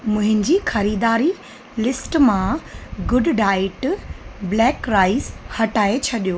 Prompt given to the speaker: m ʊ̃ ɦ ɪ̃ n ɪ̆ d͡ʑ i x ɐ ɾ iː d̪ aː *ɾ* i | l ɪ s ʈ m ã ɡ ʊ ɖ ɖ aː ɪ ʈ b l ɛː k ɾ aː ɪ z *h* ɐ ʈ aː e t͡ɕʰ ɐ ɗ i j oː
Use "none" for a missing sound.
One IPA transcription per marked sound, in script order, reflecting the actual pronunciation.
ɾ, h

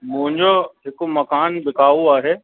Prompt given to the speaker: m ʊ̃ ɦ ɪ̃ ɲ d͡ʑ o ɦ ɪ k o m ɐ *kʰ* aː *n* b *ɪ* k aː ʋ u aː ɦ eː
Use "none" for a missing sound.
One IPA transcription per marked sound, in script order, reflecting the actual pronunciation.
k, n, ɪ

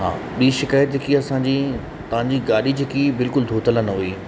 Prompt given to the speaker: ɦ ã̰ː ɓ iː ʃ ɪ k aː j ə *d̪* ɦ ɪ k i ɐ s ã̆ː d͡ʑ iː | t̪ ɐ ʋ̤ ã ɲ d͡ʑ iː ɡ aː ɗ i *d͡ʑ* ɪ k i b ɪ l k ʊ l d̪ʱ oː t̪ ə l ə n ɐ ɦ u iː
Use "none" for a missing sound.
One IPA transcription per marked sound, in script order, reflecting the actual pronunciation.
t̪, d͡ʑ

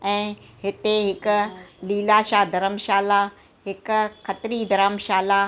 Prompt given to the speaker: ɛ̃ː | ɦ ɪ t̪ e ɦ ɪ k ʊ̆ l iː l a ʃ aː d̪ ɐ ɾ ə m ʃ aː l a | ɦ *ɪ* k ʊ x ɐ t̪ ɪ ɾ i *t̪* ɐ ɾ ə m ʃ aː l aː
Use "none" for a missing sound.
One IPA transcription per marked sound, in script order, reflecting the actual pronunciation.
ɪ, d̪

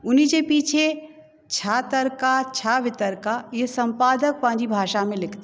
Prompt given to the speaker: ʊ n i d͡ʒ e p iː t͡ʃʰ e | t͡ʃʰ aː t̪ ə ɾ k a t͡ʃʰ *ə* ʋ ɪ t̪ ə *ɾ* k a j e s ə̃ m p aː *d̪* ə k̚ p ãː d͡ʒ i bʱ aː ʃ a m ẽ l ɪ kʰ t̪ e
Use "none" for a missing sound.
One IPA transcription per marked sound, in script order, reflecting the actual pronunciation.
a, ɾ, d̪

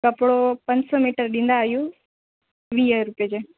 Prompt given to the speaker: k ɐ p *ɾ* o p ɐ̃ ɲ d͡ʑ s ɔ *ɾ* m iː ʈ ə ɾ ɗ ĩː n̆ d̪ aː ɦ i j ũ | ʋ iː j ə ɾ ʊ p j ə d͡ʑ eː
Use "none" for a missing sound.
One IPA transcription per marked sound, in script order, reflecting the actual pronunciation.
ɽ, none

